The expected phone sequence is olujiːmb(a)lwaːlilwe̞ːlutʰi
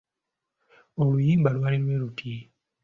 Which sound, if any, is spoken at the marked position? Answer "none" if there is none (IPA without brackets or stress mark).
a